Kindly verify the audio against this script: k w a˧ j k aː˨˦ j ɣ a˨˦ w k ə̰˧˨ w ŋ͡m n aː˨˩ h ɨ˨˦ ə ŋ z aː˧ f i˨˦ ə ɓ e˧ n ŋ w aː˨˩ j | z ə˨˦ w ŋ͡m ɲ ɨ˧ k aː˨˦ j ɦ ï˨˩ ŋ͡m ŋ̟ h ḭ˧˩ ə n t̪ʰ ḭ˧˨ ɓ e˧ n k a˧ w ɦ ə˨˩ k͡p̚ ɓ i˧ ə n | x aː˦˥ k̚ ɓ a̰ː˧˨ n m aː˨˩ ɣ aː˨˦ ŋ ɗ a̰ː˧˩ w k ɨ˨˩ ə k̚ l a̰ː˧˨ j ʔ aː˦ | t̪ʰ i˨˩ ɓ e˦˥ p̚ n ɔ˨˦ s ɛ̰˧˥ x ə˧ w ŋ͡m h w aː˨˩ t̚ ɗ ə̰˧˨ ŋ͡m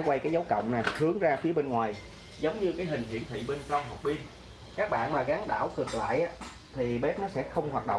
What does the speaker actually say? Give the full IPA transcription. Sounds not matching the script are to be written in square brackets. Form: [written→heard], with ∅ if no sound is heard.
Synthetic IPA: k w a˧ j k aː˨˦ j [ɣ→z] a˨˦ w k ə̰˧˨ w ŋ͡m n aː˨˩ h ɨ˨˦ ə ŋ z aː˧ f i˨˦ ə ɓ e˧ n ŋ w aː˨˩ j | z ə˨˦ w ŋ͡m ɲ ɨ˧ k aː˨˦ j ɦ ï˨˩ [ŋ͡m→∅] ŋ̟ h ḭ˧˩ ə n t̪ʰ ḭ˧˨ ɓ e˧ n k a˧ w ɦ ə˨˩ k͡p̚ ɓ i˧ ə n | [x→k] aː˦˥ k̚ ɓ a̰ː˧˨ n m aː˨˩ ɣ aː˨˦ ŋ ɗ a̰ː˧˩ w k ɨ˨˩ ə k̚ l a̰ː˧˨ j ʔ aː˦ | t̪ʰ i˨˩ ɓ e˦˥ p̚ n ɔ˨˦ s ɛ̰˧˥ x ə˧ w ŋ͡m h w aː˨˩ t̚ ɗ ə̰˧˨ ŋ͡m